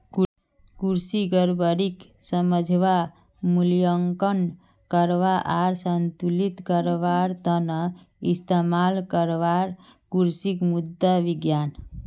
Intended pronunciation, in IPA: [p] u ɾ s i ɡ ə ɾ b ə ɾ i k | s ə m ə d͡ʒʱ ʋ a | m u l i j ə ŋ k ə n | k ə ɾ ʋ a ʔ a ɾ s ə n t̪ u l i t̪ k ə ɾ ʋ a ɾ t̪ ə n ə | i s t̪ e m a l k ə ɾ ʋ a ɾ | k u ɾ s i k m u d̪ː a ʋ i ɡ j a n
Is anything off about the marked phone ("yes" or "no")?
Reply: yes